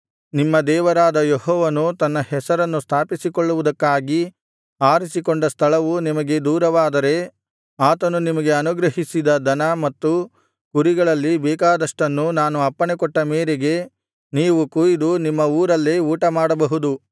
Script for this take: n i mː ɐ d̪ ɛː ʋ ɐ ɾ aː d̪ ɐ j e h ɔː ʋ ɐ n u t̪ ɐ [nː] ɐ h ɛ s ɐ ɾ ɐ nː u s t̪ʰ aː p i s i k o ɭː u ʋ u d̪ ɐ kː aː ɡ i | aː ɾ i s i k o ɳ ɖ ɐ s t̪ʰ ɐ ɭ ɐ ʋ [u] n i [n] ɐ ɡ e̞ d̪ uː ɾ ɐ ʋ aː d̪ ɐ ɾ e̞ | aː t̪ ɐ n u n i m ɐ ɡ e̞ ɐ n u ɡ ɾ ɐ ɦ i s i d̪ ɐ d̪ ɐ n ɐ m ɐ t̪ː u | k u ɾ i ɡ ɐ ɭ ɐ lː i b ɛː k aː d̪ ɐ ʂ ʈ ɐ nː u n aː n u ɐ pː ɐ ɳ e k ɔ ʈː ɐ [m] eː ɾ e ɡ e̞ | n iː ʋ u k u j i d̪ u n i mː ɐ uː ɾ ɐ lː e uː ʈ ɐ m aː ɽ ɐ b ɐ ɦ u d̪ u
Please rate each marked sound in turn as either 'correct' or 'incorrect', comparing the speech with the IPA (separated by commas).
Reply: correct, correct, incorrect, correct